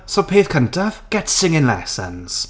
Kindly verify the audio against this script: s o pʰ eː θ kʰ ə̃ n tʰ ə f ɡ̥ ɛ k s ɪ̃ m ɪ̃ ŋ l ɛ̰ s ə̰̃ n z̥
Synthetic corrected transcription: s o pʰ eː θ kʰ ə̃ n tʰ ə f ɡ̥ ɛ t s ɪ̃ ŋ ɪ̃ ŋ l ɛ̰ s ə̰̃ n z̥

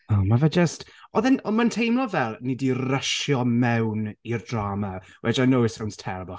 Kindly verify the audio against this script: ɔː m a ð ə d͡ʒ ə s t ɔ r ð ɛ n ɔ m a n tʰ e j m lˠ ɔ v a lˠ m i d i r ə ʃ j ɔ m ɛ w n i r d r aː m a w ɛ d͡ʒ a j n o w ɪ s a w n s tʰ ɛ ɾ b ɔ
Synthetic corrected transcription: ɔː m a v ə d͡ʒ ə s t ɔ ð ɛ n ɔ m a n tʰ e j m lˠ ɔ v ɛ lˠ n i d i r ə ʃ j ɔ m ɛ w n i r d r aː m a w ɛ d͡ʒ a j n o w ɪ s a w n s tʰ ɛ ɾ b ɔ

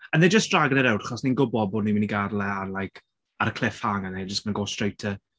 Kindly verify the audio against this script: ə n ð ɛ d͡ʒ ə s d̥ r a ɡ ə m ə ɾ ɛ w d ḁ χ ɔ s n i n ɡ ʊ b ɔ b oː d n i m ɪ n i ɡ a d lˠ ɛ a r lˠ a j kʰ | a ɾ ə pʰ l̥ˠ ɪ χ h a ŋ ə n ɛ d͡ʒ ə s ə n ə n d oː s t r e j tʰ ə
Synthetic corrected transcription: ə n ð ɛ d͡ʒ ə s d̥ r a ɡ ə n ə ɾ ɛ w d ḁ χ ɔ s n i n ɡ ʊ b ɔ b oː d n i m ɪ n i ɡ a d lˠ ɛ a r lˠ a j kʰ | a ɾ ə kʰ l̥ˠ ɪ f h a ŋ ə n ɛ d͡ʒ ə s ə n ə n ɡ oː s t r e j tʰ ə

